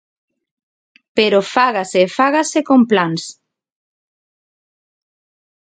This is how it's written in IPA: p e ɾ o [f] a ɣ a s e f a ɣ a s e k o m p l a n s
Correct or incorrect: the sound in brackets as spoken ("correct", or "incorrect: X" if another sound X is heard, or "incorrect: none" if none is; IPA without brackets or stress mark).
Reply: correct